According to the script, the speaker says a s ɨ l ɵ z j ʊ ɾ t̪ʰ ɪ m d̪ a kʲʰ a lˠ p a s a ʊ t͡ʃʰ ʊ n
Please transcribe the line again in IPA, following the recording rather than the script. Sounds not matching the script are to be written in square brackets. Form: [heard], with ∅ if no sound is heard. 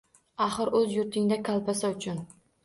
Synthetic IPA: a [χ] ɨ [ɾ] ɵ z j ʊ ɾ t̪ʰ ɪ [ŋ] d̪ a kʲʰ a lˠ p a s a ʊ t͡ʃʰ ʊ n